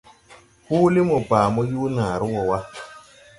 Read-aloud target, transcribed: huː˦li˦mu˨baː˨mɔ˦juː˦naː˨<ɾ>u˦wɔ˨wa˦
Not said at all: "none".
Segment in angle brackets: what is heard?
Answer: ɾ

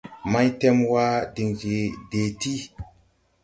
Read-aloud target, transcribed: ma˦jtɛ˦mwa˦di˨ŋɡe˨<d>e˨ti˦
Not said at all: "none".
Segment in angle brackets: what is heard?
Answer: d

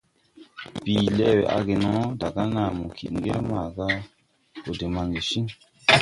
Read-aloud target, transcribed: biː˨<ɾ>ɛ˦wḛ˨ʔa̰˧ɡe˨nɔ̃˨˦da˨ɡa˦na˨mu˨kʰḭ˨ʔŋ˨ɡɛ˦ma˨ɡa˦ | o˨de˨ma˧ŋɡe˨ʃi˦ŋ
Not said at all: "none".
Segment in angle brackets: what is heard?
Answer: l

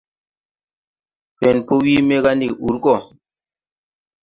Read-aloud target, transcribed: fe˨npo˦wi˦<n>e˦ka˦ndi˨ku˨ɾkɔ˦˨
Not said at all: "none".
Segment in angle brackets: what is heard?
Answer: m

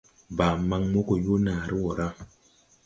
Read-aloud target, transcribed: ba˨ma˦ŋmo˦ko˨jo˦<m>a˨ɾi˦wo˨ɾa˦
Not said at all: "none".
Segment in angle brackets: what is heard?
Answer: n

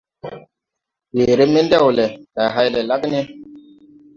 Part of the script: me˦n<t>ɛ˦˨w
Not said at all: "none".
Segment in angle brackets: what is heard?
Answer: d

